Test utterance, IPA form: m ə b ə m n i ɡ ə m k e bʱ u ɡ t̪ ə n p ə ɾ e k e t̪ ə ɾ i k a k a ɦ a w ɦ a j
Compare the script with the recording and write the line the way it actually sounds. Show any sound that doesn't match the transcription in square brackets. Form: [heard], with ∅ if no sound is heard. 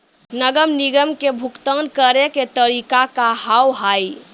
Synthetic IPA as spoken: [n] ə [ɡ] ə m n i ɡ ə m k e bʱ u [k] t̪ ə n [k] ə ɾ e k e t̪ ə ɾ i k a k a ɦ a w ɦ a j